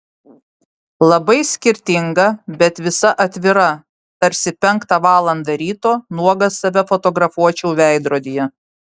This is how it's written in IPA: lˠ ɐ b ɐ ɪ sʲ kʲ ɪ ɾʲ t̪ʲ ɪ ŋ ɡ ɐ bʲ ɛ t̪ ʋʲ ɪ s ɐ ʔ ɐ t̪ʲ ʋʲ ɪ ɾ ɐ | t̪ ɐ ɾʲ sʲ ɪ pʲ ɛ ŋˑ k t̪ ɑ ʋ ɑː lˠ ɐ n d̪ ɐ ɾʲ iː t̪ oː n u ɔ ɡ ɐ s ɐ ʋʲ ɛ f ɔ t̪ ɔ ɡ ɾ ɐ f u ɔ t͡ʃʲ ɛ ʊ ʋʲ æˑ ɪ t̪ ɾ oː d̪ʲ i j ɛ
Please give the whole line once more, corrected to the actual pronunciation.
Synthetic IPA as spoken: lˠ ɐ b ɐ ɪ sʲ kʲ ɪ ɾʲ t̪ʲ ɪ ŋ ɡ ɐ bʲ ɛ t̪ ʋʲ ɪ s ɐ ʔ ɐ t̪ʲ ʋʲ ɪ ɾ ɐ | t̪ ɐ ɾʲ sʲ ɪ pʲ ɛ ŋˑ k t̪ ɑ ʋ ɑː lˠ ɐ n d̪ ɐ ɾʲ iː t̪ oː n u ɔ ɡ ɐ s ɐ ʋʲ ɛ f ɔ t̪ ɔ ɡ ɾ ɐ f u ɔ t͡ʃʲ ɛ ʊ ʋʲ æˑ ɪ d̪ ɾ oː d̪ʲ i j ɛ

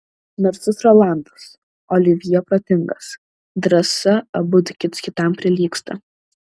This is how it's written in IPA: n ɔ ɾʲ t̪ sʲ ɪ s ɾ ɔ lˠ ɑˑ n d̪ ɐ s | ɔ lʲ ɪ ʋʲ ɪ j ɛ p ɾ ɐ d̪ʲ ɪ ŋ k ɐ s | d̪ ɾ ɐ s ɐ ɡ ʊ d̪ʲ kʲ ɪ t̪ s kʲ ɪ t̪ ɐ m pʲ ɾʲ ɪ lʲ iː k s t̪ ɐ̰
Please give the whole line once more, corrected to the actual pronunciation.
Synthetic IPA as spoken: n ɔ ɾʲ t̪ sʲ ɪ s ɾ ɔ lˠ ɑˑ n d̪ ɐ s | ɔ lʲ ɪ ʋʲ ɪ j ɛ p ɾ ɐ t̪ʲ ɪ ŋ ɡ ɐ s | d̪ ɾ ɐ s ɐ b ʊ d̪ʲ kʲ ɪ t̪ s kʲ ɪ t̪ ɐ m pʲ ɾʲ ɪ lʲ iː k s t̪ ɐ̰

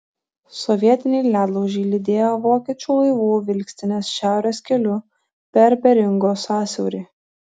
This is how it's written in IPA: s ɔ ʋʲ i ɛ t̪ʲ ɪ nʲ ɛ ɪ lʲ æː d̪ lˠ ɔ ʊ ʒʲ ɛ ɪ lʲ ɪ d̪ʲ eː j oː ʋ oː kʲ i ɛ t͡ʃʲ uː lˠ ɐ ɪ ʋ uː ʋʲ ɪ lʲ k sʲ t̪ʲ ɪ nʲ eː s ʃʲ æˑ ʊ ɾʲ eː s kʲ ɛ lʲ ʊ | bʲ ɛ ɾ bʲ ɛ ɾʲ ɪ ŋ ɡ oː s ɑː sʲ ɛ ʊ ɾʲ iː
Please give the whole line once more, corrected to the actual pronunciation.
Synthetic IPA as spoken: s ɔ ʋʲ i ɛ t̪ʲ ɪ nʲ ɛ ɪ lʲ æː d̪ lˠ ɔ ʊ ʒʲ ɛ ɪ lʲ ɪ d̪ʲ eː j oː ʋ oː kʲ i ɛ t͡ʃʲ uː lˠ ɐ ɪ ʋ uː ʋʲ ɪ lʲ k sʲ t̪ʲ ɪ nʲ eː s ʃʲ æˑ ʊ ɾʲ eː s kʲ ɛ lʲ ʊ | pʲ ɛ ɾ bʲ ɛ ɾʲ ɪ ŋ ɡ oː s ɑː sʲ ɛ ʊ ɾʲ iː

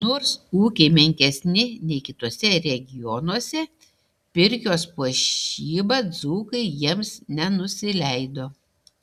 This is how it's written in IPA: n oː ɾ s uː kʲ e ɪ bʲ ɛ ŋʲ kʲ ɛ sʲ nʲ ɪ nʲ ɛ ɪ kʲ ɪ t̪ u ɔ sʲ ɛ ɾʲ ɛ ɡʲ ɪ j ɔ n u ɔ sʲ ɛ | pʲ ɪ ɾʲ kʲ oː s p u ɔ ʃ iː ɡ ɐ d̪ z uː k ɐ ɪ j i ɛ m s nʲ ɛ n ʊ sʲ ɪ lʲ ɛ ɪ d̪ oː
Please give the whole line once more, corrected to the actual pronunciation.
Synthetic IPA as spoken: n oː ɾ s uː kʲ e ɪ mʲ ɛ ŋʲ kʲ ɛ sʲ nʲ ɪ nʲ ɛ ɪ kʲ ɪ t̪ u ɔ sʲ ɛ ɾʲ ɛ ɡʲ ɪ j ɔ n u ɔ sʲ ɛ | pʲ ɪ ɾʲ kʲ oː s p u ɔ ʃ iː b ɐ d̪ z uː k ɐ ɪ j i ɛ m s nʲ ɛ n ʊ sʲ ɪ lʲ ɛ ɪ d̪ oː

